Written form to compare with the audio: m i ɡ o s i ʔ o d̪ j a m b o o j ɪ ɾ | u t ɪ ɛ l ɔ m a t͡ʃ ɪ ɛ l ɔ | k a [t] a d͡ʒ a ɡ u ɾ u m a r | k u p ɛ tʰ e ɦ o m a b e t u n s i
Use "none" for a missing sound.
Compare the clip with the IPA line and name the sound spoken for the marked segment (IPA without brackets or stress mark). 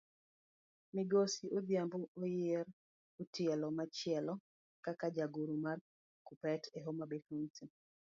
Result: k